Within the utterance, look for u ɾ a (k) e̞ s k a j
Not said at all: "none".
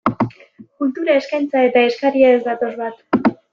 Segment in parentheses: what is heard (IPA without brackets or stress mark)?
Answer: none